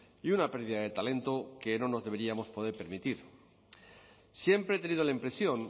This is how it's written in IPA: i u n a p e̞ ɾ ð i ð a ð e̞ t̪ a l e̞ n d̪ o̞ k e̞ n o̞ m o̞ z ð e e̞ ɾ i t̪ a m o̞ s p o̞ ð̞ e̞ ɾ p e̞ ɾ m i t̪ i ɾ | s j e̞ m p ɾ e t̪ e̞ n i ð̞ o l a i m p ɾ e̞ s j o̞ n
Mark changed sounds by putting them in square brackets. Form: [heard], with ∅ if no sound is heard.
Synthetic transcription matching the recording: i u n a p e̞ ɾ ð i ð a ð e̞ t̪ a l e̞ n [t̪] o̞ k e̞ n o̞ [n] o̞ z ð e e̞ ɾ i [∅] a m o̞ s p o̞ ð̞ e̞ ɾ p e̞ ɾ m i t̪ i ɾ | s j e̞ m p ɾ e t̪ e̞ n i ð̞ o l a i m p ɾ e̞ s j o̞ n

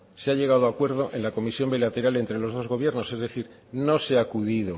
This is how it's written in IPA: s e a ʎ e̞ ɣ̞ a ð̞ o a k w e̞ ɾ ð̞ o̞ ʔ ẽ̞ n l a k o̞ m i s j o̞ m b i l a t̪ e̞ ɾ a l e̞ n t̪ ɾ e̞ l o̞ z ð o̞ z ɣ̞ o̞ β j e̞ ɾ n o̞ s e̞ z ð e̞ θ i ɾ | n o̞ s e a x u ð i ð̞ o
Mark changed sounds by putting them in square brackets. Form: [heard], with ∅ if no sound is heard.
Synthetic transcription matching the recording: s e a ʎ e̞ ɣ̞ a ð̞ o a k w e̞ ɾ ð̞ o̞ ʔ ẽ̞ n l a k o̞ m i s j o̞ m b i l a t̪ e̞ ɾ a l e̞ n t̪ ɾ e̞ l o̞ z ð o̞ z ɣ̞ o̞ β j e̞ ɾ n o̞ s e̞ z ð e̞ θ i ɾ | n o̞ s e a [k] u ð i ð̞ o

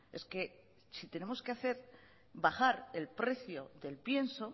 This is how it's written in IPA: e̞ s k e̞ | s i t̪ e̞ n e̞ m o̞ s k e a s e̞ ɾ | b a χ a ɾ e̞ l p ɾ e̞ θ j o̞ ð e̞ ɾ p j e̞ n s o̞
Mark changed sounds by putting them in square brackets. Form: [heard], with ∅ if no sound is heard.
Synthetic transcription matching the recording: e̞ s k e̞ | s i t̪ e̞ n e̞ m o̞ s k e a [θ] e̞ ɾ | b a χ a ɾ e̞ l p ɾ e̞ θ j o̞ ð e̞ [l] p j e̞ n s o̞

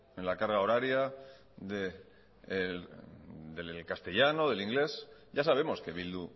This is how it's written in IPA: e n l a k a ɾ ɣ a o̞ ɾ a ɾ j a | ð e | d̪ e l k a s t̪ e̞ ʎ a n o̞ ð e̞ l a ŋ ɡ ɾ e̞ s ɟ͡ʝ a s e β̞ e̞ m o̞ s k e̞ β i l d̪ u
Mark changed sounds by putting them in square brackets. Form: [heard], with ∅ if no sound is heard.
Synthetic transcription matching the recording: e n l a k a ɾ ɣ a o̞ ɾ a ɾ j a | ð e | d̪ e l k a s t̪ e̞ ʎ a n o̞ ð e̞ l [i] ŋ ɡ [l] e̞ s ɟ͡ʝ a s [a] β̞ e̞ m o̞ s k e̞ β i l d̪ u

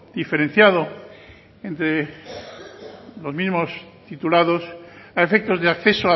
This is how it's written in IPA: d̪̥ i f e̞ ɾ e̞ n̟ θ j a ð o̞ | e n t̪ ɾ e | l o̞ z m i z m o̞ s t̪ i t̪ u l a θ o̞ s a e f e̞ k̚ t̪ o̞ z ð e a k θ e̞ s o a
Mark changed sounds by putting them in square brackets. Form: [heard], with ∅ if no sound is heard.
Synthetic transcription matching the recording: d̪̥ i f e̞ ɾ e̞ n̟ θ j a ð o̞ | e n t̪ ɾ e | l o̞ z m i z m o̞ s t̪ i t̪ u l a [ð] o̞ s a e f e̞ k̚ t̪ o̞ z ð e a k θ e̞ s o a

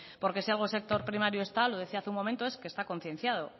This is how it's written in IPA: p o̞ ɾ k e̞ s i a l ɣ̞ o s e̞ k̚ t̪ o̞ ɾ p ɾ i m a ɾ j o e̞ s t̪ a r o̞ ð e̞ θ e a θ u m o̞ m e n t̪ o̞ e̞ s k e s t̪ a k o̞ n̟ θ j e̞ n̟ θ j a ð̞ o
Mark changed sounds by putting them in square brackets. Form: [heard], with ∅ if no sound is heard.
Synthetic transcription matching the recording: p o̞ ɾ k e̞ s i a l ɣ̞ o s e̞ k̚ t̪ o̞ ɾ p ɾ i m a ɾ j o e̞ s t̪ a [l] o̞ ð e̞ θ [i] a θ u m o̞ m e n t̪ o̞ e̞ s k e s t̪ a k o̞ n̟ θ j e̞ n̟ θ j a ð̞ o

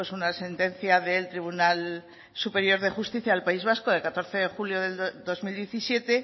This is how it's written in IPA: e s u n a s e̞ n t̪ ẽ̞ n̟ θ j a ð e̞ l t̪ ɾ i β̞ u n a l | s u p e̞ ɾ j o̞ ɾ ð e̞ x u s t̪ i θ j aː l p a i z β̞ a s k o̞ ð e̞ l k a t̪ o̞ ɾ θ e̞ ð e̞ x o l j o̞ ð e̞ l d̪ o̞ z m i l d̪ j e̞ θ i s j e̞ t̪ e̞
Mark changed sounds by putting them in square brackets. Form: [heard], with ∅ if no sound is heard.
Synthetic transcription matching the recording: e s u n a s e̞ n t̪ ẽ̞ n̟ θ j a ð e̞ l t̪ ɾ i β̞ u n a l | s u p e̞ ɾ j o̞ ɾ ð e̞ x u s t̪ i θ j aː l p a i z β̞ a s k o̞ ð e̞ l k a t̪ o̞ ɾ θ e̞ ð e̞ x [u] l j o̞ ð e̞ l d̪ o̞ z m i l d̪ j e̞ θ i s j e̞ t̪ e̞

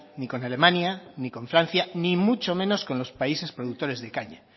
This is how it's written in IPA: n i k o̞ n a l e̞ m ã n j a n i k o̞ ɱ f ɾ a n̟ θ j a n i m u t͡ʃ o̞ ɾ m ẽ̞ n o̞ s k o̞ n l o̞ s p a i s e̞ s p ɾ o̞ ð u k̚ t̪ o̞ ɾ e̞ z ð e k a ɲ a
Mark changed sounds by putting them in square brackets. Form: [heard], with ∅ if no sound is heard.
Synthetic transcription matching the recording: n i k o̞ n a l e̞ m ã n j a n i k o̞ ɱ f ɾ a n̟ θ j a n i m u t͡ʃ o̞ [∅] m ẽ̞ n o̞ s k o̞ n l o̞ s p a i s e̞ s p ɾ o̞ ð u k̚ t̪ o̞ ɾ e̞ z ð e k a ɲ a

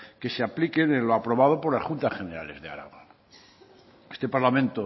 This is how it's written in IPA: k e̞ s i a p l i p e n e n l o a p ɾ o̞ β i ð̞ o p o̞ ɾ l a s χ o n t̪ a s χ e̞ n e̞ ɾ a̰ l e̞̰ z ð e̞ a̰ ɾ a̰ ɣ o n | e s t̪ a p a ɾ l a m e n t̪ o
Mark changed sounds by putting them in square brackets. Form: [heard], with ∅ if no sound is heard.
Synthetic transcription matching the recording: k e̞ s [e] a p l i [k] e n e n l o a p ɾ o̞ β [a] ð̞ o p o̞ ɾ l a s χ [u] n t̪ a s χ e̞ n e̞ ɾ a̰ l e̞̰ z ð e̞ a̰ ɾ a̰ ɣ o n | e s t̪ [e] p a ɾ l a m [ẽ] n t̪ o

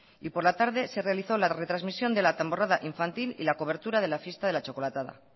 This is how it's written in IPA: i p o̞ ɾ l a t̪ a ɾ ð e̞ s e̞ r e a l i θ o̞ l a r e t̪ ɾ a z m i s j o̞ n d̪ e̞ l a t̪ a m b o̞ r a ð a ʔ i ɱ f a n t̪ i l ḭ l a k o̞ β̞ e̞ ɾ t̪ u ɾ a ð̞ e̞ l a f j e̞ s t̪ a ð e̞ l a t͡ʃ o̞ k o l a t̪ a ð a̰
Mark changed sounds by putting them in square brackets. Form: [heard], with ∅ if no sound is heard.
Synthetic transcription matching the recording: i p o̞ ɾ l a t̪ a ɾ ð e̞ s e̞ r e a l i θ o̞ l a r e t̪ ɾ a z m i s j o̞ n d̪ e̞ l a t̪ a m b o̞ r a ð a ʔ i ɱ f a n t̪ i l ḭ l a k o̞ β̞ e̞ ɾ t̪ u ɾ a ð̞ e̞ l a f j e̞ s t̪ a ð e̞ l a t͡ʃ o̞ k o l a t̪ a ð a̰

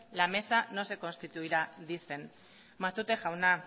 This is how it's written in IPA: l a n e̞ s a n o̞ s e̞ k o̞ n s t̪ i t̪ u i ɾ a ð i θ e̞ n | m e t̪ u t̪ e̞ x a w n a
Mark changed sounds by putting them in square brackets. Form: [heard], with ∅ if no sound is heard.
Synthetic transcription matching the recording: l a [m] e̞ s a n o̞ s e̞ k o̞ n s t̪ i t̪ u i ɾ a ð i θ e̞ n | m [a] t̪ u t̪ e̞ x a w n a

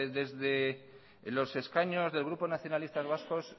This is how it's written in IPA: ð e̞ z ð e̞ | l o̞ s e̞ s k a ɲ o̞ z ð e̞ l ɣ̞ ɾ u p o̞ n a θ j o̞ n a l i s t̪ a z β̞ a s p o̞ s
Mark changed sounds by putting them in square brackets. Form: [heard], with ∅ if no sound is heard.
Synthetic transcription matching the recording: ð e̞ z ð e̞ | l o̞ s e̞ s k a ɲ o̞ z ð e̞ l ɣ̞ ɾ u p o̞ n a θ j o̞ n a l i s t̪ a z β̞ a s [k] o̞ s

